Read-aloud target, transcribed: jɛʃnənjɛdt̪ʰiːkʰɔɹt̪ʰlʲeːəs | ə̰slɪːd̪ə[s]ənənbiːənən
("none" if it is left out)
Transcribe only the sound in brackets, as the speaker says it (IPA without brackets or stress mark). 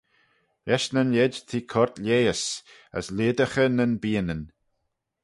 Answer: x